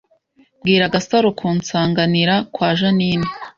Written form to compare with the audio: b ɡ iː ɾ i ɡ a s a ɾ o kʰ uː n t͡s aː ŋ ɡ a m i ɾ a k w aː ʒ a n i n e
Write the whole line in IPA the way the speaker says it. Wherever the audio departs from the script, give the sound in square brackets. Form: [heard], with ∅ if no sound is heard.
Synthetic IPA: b ɡ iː ɾ [a] ɡ a s a ɾ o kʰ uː n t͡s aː ŋ ɡ a [n] i ɾ a k w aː ʒ a n i n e